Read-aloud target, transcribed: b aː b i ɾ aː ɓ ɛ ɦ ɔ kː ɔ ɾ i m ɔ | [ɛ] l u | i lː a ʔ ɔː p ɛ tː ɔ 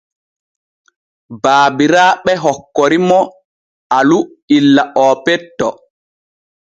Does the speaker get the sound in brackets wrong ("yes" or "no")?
yes